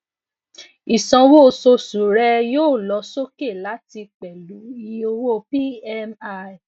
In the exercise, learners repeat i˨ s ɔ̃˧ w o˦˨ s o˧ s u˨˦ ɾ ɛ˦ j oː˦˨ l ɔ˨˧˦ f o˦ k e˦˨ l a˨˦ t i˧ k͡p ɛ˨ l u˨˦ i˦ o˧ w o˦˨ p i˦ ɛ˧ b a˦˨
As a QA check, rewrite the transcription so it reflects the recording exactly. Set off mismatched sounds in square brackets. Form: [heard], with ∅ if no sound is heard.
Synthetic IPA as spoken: i˨ s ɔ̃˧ w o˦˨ s o˧ s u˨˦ ɾ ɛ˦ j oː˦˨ l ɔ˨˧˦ [s] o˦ k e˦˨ l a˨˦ t i˧ k͡p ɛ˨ l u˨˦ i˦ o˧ w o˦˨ p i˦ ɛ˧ [m] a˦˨